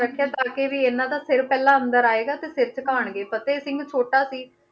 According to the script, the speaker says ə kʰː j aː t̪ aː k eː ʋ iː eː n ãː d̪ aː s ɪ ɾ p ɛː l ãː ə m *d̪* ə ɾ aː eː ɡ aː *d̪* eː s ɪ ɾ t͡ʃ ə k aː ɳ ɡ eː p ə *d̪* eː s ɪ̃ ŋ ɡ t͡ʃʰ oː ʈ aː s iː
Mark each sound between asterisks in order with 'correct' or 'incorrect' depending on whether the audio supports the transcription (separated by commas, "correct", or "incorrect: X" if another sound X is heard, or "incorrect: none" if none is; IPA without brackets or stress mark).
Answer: correct, incorrect: t̪, incorrect: t̪